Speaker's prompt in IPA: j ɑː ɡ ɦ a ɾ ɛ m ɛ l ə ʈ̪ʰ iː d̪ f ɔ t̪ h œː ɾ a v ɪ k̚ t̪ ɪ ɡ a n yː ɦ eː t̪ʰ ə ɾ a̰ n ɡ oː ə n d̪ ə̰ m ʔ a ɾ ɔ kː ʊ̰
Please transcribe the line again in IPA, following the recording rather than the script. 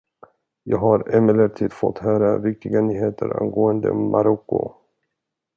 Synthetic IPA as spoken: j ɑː ɡ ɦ a ɾ ɛ m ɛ l ə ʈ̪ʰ iː d̪ f ɔ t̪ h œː ɾ a v ɪ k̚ t̪ ɪ ɡ a n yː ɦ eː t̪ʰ ə ɾ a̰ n ɡ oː ə n d̪ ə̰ m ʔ a ɾ ɔ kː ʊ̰